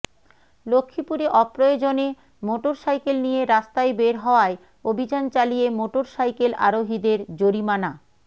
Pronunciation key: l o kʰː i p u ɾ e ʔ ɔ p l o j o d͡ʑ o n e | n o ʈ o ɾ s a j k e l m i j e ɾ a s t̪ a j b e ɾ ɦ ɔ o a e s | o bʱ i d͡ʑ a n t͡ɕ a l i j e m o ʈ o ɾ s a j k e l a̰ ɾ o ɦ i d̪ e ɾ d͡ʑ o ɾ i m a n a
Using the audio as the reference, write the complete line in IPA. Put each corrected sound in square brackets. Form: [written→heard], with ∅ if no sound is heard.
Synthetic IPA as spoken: l o kʰː i p u ɾ e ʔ ɔ p [l→ɾ] o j o d͡ʑ o n e | [n→m] o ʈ o ɾ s a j k e l [m→n] i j e ɾ a s t̪ a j b e ɾ ɦ ɔ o a e [s→∅] | o bʱ i d͡ʑ a n t͡ɕ a l i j e m o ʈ o ɾ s a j k e l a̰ ɾ o ɦ i d̪ e ɾ d͡ʑ o ɾ i m a n a